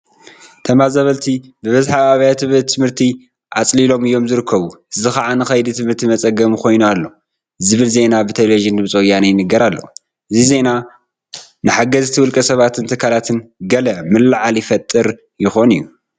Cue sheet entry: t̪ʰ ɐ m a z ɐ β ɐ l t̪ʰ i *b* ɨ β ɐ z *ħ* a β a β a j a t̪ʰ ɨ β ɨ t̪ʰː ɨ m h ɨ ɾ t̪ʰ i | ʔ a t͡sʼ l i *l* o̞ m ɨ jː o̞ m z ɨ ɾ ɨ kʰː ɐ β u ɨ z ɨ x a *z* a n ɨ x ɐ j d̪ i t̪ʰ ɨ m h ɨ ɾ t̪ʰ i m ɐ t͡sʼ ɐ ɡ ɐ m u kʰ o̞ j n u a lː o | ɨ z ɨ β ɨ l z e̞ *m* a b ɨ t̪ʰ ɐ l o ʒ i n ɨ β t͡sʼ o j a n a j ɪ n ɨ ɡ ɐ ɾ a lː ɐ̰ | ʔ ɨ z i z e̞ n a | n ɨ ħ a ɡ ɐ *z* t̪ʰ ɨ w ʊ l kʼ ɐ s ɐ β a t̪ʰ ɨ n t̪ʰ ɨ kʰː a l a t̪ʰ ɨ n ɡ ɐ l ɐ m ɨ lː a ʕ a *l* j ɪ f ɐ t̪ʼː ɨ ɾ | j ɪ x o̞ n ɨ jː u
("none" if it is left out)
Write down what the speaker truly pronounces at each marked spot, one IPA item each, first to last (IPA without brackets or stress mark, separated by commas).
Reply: b, ħ, l, ʕ, n, z, l